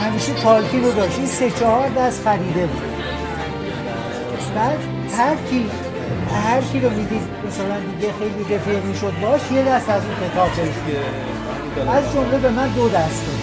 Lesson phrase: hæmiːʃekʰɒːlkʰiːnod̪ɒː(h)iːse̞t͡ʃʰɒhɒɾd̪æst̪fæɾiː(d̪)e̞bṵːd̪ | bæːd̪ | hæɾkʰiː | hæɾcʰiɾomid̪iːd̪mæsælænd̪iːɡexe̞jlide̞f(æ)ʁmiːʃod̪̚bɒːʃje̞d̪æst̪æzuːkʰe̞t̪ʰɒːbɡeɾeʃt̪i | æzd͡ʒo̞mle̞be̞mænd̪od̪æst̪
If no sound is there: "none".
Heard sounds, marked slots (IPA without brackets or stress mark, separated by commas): ʃ, d̪, e